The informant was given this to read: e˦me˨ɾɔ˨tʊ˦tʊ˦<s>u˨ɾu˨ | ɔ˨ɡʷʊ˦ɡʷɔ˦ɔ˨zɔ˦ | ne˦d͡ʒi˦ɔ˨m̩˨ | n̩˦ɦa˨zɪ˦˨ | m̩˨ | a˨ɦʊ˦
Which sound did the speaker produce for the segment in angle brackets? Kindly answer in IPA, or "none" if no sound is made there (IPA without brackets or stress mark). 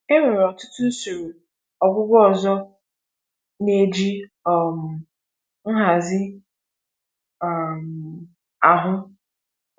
s